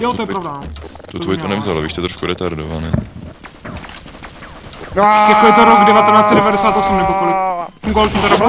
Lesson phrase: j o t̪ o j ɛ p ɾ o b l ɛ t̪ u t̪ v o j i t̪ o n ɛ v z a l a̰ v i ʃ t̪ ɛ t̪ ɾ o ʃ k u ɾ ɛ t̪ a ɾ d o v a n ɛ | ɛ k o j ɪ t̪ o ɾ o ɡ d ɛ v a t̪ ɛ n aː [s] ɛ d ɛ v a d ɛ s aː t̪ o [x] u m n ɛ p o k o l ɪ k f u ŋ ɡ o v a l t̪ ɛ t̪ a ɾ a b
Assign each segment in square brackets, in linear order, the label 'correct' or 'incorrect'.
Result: incorrect: t͡s, incorrect: s

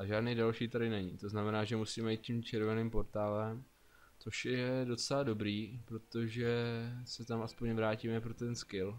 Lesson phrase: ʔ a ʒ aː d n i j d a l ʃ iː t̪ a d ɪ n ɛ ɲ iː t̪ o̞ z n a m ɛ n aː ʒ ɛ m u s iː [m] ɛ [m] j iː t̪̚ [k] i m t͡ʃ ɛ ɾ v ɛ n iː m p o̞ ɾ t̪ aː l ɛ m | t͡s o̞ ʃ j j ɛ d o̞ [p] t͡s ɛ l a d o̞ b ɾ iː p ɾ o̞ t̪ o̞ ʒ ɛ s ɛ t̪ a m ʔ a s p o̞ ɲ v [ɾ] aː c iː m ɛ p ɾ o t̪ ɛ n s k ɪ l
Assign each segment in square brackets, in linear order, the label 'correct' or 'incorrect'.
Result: correct, incorrect: none, incorrect: c, incorrect: none, correct

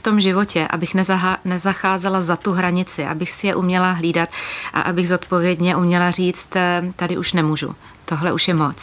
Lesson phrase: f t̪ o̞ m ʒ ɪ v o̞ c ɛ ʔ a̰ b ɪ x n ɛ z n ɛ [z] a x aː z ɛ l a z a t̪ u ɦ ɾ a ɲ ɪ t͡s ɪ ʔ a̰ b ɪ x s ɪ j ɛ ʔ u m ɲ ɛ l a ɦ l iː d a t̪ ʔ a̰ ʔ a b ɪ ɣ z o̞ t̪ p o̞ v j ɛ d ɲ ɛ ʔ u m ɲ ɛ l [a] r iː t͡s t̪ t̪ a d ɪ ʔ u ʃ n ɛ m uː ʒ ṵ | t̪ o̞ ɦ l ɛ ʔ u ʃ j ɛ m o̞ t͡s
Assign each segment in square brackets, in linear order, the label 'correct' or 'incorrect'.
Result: correct, correct

